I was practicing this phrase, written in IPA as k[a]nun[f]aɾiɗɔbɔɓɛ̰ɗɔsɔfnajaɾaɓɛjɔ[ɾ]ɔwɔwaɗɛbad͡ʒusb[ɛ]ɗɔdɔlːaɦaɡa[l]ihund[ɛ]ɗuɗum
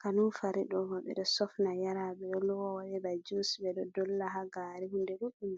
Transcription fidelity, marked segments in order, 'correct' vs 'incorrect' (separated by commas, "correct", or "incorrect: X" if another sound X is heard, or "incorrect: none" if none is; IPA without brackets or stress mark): correct, correct, incorrect: l, correct, incorrect: ɾ, correct